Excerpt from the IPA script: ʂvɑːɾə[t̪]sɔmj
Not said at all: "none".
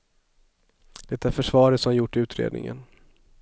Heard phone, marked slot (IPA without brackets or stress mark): t̪